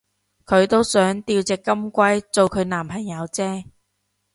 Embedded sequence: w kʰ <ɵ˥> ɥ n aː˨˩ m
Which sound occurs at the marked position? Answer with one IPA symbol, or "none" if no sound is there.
ɵ˨˧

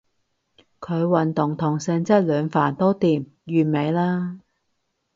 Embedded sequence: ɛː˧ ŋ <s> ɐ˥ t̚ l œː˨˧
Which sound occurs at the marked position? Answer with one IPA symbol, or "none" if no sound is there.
t͡s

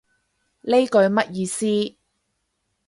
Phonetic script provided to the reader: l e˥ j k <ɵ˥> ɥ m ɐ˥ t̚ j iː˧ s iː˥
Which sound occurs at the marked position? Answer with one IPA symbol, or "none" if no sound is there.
ɵ˧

